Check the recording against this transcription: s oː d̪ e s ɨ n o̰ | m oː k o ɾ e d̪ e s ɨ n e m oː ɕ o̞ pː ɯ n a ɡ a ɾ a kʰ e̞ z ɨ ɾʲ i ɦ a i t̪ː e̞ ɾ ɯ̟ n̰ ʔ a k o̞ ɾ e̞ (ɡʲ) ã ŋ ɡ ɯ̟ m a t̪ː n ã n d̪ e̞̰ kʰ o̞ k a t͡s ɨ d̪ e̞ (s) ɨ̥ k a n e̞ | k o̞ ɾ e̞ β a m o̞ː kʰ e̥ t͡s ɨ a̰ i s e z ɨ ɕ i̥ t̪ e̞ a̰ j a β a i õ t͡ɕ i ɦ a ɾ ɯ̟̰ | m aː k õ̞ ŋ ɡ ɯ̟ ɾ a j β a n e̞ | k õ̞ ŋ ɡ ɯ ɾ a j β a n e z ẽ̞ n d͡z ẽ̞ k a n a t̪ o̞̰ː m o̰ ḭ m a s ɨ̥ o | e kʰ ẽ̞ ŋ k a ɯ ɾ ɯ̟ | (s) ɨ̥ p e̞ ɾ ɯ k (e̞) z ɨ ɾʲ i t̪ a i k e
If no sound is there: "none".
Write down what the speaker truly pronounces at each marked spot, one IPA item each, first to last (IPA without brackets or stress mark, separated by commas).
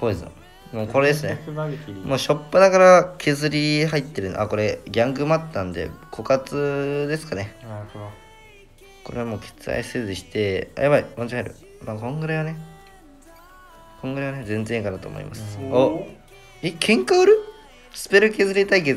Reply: ɡʲ, s, s, e̞